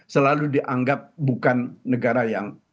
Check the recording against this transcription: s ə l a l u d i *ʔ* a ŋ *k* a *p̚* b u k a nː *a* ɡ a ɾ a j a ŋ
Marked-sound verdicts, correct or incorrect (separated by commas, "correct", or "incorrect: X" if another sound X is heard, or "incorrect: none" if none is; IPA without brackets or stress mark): correct, incorrect: ɡ, correct, incorrect: ə